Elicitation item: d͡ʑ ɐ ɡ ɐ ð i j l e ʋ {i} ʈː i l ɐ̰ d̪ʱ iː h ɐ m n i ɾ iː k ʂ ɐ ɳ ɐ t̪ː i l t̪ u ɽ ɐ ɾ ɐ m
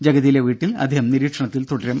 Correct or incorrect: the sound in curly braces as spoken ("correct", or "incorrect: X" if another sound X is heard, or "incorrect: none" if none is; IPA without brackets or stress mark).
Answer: incorrect: iː